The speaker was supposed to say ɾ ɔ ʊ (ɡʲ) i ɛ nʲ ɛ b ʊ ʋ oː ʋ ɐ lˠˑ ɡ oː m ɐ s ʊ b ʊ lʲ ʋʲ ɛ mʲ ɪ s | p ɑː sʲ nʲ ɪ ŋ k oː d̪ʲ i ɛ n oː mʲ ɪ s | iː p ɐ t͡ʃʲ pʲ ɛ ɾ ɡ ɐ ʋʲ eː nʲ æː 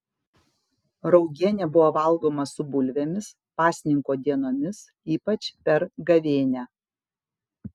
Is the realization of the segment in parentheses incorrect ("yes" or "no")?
no